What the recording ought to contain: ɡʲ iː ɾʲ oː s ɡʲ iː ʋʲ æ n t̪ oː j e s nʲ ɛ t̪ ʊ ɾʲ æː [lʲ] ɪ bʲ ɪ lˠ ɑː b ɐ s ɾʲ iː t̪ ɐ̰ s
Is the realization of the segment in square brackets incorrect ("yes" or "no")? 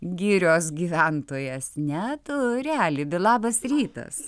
no